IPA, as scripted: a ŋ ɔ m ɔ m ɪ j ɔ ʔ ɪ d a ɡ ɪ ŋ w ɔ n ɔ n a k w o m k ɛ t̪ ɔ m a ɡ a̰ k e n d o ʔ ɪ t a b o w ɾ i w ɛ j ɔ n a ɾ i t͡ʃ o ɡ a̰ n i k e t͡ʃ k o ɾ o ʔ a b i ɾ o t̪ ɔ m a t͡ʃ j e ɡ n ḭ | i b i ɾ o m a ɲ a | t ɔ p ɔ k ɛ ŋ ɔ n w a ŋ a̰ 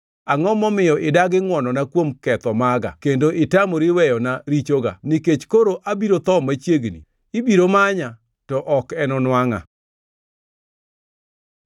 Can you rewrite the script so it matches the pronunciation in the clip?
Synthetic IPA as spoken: a ŋ ɔ m ɔ m ɪ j ɔ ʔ ɪ d a ɡ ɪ ŋ w ɔ n ɔ n a k w o m k ɛ t̪ ɔ m a ɡ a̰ k e n d o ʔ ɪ t a m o ɾ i w ɛ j ɔ n a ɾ i t͡ʃ o ɡ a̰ n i k e t͡ʃ k o ɾ o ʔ a b i ɾ o t̪ ɔ m a t͡ʃ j e ɡ n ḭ | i b i ɾ o m a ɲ a | t ɔ ʔ ɔ k ɛ n ɔ n w a ŋ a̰

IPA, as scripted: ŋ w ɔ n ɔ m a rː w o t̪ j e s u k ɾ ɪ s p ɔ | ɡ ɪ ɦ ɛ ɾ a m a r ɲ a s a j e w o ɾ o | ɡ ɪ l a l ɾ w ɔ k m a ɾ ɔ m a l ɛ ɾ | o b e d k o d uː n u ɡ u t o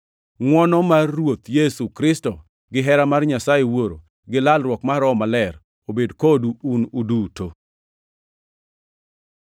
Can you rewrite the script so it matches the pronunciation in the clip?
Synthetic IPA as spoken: ŋ w ɔ n ɔ m a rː w o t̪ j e s u k ɾ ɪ s t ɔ | ɡ ɪ ɦ ɛ ɾ a m a r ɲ a s a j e w o ɾ o | ɡ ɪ l a l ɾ w ɔ k m a ɾ ɔ m a l ɛ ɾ | o b e d k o d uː n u d u t o

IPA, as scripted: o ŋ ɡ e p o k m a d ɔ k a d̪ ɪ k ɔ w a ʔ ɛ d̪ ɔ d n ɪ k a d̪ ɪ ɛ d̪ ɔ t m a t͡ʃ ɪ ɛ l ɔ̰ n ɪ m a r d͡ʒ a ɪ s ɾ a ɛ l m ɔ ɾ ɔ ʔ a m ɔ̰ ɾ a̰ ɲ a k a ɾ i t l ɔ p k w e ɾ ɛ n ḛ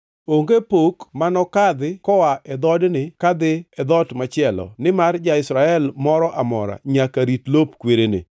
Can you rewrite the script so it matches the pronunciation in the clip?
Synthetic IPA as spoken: o ŋ ɡ e p o k m a n ɔ k a d̪ ɪ k ɔ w a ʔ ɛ d̪ ɔ d n ɪ k a d̪ ɪ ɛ d̪ ɔ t m a t͡ʃ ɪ ɛ l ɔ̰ n ɪ m a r d͡ʒ a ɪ s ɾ a ɛ l m ɔ ɾ ɔ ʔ a m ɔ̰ ɾ a̰ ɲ a k a ɾ i t l o p k w e ɾ e n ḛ

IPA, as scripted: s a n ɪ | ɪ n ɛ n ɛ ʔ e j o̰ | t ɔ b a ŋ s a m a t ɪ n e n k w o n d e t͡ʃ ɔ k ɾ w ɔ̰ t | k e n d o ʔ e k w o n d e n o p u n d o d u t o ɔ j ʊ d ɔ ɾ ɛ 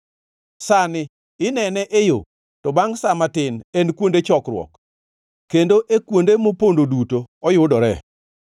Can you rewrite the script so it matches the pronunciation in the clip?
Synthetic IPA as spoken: s a n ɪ | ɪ n ɛ n ɛ ʔ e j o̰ | t ɔ b a ŋ s a m a t ɪ n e n k w o n d e t͡ʃ ɔ k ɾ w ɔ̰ k | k e n d o ʔ e k w o n d e m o p o n d o d u t o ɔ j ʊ d ɔ ɾ ɛ

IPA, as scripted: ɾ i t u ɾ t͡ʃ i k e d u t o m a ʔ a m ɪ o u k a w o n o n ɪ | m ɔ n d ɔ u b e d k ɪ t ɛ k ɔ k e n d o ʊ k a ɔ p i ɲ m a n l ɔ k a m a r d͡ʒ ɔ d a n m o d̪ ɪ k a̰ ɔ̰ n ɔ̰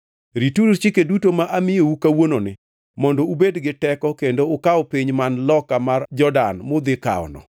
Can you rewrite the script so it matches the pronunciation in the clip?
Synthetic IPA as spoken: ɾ i t u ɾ t͡ʃ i k e d u t o m a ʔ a m ɪ o u k a w o n o n ɪ | m ɔ n d ɔ u b e d ɡ ɪ t ɛ k ɔ k e n d o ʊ k a ɔ p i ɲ m a n l ɔ k a m a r d͡ʒ ɔ d a n m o d̪ ɪ k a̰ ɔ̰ n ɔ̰

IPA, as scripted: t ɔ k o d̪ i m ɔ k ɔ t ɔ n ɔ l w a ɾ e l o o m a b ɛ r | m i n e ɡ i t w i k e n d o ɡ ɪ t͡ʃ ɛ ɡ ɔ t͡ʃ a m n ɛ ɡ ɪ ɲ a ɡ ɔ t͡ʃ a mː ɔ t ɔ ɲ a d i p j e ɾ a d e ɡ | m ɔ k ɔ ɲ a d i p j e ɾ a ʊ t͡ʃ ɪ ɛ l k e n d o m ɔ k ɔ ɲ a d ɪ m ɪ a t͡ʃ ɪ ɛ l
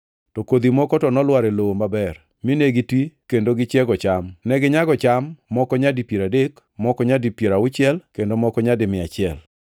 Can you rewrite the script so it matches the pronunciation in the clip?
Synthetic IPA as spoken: t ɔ k o d̪ i m ɔ k ɔ t ɔ n ɔ l w a ɾ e l o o m a b ɛ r | m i n e ɡ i t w i k e n d o ɡ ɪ t͡ʃ ɛ ɡ ɔ t͡ʃ a m n ɛ ɡ ɪ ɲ a ɡ ɔ t͡ʃ a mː ɔ k ɔ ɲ a d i p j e ɾ a d e k | m ɔ k ɔ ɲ a d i p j e ɾ a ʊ t͡ʃ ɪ ɛ l k e n d o m ɔ k ɔ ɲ a d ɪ m ɪ a t͡ʃ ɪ ɛ l

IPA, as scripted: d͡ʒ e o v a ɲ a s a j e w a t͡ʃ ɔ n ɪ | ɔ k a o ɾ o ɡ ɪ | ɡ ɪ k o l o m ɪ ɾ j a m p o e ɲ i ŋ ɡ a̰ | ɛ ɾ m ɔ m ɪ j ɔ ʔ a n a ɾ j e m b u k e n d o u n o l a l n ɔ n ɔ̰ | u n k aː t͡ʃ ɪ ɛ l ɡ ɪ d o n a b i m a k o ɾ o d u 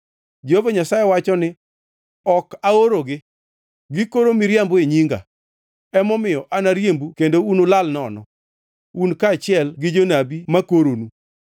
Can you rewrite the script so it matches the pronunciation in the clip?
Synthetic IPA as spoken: d͡ʒ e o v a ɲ a s a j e w a t͡ʃ ɔ n ɪ | ɔ k a o ɾ o ɡ ɪ | ɡ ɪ k o ɾ o m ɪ ɾ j a m b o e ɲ i ŋ ɡ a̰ | ɛ m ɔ m ɪ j ɔ ʔ a n a ɾ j e m b u k e n d o u n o l a l n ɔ n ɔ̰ | u n k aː t͡ʃ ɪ ɛ l ɡ ɪ d͡ʒ o n a b i m a k o ɾ o n u

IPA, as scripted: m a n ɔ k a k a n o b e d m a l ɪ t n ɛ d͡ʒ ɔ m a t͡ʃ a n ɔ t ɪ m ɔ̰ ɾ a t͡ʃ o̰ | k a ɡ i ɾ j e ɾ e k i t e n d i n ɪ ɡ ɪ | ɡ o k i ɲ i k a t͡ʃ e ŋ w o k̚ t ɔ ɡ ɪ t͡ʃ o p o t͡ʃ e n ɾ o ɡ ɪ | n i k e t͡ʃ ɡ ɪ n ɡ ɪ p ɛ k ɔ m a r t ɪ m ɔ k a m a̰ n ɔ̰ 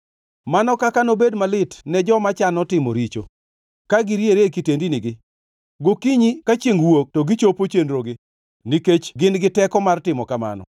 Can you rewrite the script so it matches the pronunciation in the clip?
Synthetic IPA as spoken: m a n ɔ k a k a n o b e d m a l ɪ t n ɛ d͡ʒ ɔ m a t͡ʃ a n ɔ t ɪ m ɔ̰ ɾ i t͡ʃ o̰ | k a ɡ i ɾ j e ɾ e k i t e n d i n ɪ ɡ ɪ | ɡ o k i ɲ i k a t͡ʃ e ŋ w o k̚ t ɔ ɡ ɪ t͡ʃ o p o t͡ʃ e n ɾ o ɡ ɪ | n i k e t͡ʃ ɡ ɪ n ɡ ɪ t ɛ k ɔ m a r t ɪ m ɔ k a m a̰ n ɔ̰

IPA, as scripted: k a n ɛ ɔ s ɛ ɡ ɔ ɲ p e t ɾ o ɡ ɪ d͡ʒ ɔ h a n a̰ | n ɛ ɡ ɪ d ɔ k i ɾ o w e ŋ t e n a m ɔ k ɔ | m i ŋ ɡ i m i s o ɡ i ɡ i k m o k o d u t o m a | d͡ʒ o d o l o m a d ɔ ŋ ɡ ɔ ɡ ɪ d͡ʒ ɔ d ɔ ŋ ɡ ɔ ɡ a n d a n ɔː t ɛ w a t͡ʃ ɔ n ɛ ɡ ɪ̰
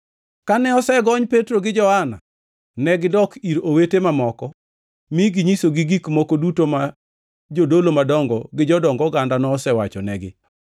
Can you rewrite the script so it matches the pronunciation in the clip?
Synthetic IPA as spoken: k a n ɛ ɔ s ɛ ɡ ɔ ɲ p e t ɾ o ɡ ɪ d͡ʒ ɔ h a n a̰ | n ɛ ɡ ɪ d ɔ k i ɾ o w e t e m a m ɔ k ɔ | m i ɡ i ɲ i s o ɡ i ɡ i k m o k o d u t o m a | d͡ʒ o d o l o m a d ɔ ŋ ɡ ɔ ɡ ɪ d͡ʒ ɔ d ɔ ŋ ɡ ɔ ɡ a n d a n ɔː s ɛ w a t͡ʃ ɔ n ɛ ɡ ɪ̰

